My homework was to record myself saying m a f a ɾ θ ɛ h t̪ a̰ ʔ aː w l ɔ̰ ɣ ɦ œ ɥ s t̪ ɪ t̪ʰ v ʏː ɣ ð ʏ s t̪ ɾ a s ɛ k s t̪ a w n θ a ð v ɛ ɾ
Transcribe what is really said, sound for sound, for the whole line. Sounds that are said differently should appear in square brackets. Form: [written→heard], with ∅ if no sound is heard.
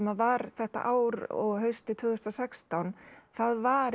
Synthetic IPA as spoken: m a [f→v] a ɾ θ ɛ h t̪ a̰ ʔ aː w [l→ɾ] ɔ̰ ɣ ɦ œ ɥ s t̪ ɪ t̪ʰ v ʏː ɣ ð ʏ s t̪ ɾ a s ɛ k s t̪ a w n θ a ð v [ɛ→a] ɾ